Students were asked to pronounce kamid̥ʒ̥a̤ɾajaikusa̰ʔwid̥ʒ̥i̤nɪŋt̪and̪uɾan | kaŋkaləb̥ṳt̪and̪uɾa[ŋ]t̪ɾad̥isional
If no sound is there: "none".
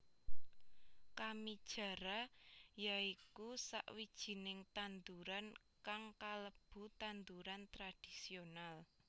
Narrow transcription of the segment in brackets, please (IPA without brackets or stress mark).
n